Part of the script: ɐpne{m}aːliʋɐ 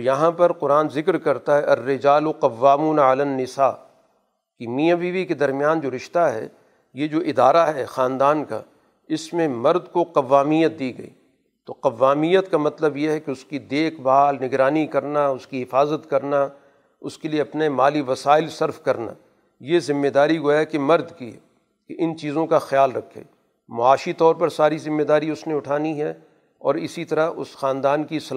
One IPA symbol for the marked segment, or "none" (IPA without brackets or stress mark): m